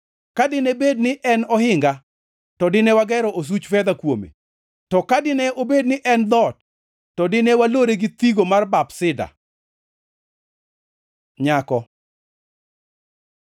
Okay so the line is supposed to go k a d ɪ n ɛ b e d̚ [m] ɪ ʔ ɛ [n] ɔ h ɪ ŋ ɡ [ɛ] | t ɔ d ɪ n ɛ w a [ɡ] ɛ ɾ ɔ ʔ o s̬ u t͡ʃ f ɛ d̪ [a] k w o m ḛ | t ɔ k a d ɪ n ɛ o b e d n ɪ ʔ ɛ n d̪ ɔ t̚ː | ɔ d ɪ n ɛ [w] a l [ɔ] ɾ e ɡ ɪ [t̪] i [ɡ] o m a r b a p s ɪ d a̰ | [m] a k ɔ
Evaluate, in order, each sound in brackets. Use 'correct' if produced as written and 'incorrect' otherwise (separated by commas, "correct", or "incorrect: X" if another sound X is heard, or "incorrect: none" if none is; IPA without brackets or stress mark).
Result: incorrect: n, correct, incorrect: a, correct, correct, correct, incorrect: o, correct, correct, incorrect: ɲ